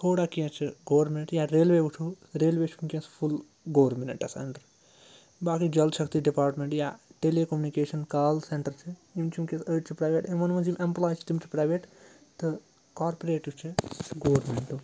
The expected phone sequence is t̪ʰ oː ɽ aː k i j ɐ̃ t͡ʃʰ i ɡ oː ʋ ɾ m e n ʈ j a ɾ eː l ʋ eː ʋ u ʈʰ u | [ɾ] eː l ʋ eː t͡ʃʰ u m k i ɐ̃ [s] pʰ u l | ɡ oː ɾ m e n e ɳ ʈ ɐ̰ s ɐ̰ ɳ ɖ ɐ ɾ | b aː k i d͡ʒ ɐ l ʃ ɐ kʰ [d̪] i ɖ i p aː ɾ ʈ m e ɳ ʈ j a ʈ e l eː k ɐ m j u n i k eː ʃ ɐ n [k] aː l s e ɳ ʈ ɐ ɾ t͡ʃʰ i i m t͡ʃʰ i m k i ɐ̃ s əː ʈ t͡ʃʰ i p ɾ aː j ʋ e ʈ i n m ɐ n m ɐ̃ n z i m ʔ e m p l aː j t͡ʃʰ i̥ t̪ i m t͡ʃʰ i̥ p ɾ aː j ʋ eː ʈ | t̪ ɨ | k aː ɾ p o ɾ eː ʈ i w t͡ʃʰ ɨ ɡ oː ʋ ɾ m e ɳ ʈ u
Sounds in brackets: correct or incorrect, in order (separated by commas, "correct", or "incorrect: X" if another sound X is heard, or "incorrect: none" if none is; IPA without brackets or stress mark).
correct, correct, incorrect: t̪, correct